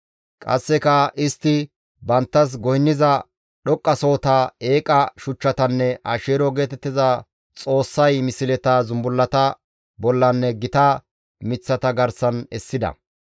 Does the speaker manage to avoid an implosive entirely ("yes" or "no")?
no